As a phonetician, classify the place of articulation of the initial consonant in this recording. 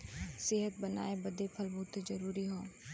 alveolar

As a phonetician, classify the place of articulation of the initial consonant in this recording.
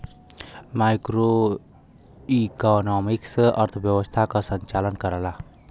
labial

